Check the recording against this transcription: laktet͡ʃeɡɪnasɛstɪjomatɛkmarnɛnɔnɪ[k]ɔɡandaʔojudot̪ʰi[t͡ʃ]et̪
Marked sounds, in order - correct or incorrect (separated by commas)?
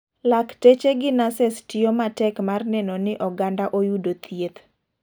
incorrect, incorrect